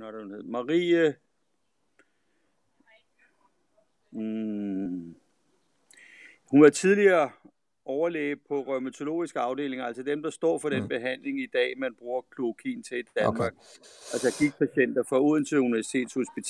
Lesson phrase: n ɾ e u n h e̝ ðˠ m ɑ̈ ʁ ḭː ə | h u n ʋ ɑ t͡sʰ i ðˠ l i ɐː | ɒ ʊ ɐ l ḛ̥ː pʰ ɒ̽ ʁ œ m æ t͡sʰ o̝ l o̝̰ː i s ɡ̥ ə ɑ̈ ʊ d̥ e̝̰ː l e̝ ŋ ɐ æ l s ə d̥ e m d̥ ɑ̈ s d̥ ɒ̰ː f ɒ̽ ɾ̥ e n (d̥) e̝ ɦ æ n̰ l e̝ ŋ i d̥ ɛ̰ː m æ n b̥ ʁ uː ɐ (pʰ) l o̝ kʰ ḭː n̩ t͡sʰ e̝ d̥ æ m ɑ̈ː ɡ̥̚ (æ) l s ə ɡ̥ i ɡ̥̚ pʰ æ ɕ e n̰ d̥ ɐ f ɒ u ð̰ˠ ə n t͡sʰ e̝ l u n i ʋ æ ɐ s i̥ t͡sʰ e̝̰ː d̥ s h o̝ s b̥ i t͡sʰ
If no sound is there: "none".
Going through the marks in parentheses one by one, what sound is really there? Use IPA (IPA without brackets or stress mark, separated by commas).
b̥, kʰ, æ